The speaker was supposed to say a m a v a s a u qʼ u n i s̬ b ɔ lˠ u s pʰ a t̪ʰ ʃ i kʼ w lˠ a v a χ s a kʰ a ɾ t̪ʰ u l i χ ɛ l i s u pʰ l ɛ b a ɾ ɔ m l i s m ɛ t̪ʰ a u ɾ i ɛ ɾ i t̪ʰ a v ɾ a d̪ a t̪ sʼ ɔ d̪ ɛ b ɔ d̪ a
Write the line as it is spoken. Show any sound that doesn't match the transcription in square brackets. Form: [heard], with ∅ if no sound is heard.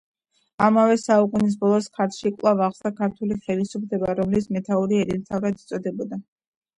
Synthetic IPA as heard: a m a v [ɛ] s a u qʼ u n i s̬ b ɔ lˠ [ɔ] s [kʰ] a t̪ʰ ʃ i kʼ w lˠ a v a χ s a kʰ a ɾ t̪ʰ u l i χ ɛ l i s u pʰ l ɛ b a ɾ ɔ m l i s m ɛ t̪ʰ a u ɾ i ɛ ɾ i t̪ʰ a v ɾ a d̪ [i] t̪ sʼ ɔ d̪ ɛ b ɔ d̪ a